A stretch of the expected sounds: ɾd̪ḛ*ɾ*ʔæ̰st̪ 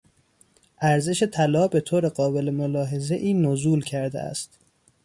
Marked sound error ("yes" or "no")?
yes